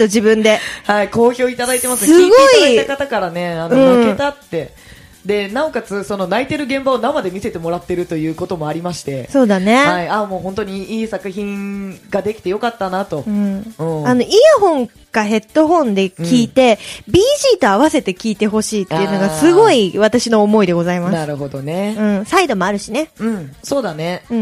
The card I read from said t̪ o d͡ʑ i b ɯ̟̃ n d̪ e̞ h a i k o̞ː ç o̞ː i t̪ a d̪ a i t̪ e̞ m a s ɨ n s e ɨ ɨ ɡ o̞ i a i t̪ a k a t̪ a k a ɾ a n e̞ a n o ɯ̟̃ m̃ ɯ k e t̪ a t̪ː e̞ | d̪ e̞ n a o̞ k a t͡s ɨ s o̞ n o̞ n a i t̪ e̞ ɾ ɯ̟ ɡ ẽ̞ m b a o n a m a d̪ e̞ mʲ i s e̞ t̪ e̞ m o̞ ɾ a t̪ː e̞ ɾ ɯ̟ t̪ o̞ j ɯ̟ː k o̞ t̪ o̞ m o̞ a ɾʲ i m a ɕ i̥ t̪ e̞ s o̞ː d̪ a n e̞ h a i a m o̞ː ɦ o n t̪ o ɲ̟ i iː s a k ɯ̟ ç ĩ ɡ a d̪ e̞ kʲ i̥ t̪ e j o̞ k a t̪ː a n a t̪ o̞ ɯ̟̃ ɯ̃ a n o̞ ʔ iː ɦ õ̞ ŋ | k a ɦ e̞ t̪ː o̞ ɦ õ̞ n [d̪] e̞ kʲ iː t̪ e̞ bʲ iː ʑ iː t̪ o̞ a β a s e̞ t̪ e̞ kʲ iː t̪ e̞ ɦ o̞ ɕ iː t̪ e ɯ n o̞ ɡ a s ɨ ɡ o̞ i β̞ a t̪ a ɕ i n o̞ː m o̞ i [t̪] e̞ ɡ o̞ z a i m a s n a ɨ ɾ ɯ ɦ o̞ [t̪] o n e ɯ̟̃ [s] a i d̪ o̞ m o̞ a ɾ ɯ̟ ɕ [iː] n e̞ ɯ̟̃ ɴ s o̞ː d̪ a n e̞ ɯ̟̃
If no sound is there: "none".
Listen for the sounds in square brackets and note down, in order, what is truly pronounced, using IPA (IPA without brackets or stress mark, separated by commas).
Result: d̪, d̪, d̪, s, i